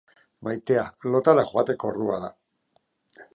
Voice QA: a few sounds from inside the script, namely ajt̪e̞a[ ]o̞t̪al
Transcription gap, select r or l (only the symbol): l